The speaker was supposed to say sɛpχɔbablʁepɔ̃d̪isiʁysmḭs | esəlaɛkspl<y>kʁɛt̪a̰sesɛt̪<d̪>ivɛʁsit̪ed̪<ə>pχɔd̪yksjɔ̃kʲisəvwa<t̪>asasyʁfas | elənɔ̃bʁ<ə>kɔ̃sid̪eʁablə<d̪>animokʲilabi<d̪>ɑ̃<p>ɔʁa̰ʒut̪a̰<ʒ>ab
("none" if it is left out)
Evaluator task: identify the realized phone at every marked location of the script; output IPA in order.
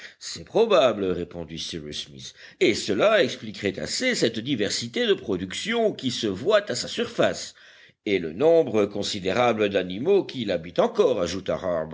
i, d̪, ə, t̪, ə, d̪, t̪, k, ʁ

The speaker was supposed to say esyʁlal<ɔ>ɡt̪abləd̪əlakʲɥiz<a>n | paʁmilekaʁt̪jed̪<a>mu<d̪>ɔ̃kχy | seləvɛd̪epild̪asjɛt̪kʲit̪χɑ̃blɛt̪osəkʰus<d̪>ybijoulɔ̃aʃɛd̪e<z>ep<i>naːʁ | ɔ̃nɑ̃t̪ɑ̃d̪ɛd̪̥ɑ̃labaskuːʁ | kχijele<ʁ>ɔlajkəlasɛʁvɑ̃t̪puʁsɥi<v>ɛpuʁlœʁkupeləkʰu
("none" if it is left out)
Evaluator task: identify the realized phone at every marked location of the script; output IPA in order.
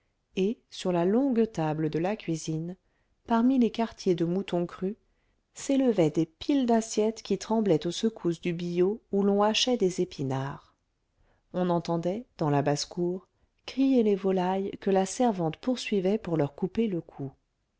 ɔ̃, i, ə, t̪, d̪, z, i, v, v

